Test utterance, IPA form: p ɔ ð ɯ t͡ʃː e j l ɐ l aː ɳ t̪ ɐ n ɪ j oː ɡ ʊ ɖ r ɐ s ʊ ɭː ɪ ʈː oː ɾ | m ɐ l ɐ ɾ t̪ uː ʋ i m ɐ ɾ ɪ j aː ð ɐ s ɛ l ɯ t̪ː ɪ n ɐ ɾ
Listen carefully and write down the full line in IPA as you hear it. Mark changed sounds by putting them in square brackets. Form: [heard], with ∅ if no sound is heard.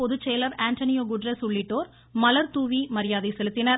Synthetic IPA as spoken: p ɔ ð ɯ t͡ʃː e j l ɐ [ɾ] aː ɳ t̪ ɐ n ɪ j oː ɡ ʊ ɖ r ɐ s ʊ ɭː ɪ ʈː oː ɾ | m ɐ l ɐ ɾ t̪ uː ʋ i m ɐ ɾ ɪ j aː ð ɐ s ɛ l ɯ t̪ː ɪ n ɐ ɾ